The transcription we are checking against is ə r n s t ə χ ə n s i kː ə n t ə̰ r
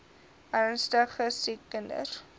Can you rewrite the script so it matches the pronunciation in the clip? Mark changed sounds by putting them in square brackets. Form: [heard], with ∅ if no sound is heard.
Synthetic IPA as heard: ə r n s t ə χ ə [∅] s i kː ə n [d] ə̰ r